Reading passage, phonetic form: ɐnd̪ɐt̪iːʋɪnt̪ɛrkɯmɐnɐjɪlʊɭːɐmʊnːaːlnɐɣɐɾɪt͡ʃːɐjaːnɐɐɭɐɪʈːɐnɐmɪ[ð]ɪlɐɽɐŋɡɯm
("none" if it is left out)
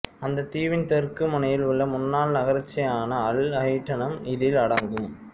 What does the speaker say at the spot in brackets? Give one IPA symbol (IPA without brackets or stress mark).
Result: ð